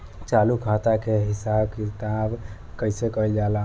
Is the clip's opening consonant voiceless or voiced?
voiceless